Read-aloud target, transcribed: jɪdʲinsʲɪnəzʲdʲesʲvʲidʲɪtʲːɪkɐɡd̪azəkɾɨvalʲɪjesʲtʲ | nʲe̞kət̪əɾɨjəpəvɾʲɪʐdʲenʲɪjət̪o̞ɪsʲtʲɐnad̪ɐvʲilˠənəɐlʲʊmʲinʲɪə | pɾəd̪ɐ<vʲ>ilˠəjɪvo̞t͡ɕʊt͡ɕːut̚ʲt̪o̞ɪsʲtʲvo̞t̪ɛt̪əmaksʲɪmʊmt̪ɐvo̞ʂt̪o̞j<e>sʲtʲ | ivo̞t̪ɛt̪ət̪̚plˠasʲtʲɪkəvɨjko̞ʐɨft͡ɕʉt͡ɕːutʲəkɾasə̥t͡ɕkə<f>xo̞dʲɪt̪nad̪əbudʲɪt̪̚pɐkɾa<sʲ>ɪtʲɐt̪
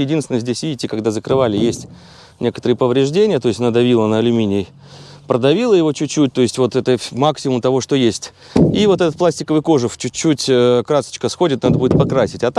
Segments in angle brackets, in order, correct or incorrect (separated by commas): correct, correct, incorrect, correct